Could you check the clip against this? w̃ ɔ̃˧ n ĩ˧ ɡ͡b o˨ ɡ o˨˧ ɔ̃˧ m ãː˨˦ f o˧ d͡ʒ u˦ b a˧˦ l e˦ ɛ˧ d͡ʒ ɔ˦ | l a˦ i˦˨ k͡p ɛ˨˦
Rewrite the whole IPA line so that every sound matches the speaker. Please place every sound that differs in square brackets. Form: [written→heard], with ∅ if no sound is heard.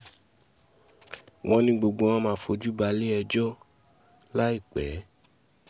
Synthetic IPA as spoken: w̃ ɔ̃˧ n ĩ˧ ɡ͡b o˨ [ɡ→ɡ͡b] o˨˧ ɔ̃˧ m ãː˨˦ f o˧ d͡ʒ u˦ b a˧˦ l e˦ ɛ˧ d͡ʒ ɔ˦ | l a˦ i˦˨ k͡p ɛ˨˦